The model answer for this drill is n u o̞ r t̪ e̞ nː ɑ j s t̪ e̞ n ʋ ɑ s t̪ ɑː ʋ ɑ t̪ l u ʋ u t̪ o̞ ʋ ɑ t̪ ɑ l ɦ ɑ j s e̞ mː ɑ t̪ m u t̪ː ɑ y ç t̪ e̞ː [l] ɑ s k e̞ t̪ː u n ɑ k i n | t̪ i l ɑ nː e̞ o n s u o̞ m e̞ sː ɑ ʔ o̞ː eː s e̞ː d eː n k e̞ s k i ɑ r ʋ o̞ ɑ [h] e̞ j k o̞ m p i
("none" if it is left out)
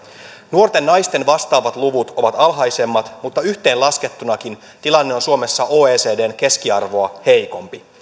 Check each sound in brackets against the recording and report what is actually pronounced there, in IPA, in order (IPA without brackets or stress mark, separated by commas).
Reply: l, h